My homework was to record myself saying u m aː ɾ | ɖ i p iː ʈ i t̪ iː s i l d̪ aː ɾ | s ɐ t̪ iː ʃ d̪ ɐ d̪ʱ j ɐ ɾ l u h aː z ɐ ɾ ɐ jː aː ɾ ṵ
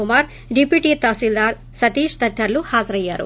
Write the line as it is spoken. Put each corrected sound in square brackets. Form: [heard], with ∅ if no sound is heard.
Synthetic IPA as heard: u m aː ɾ | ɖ i p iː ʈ i t̪ [aː] s i l d̪ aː ɾ | s ɐ t̪ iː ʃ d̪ ɐ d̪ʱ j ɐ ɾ l u h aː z ɐ ɾ ɐ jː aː ɾ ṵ